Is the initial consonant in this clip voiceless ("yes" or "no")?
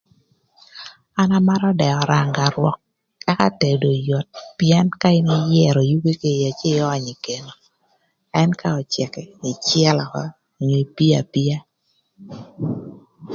no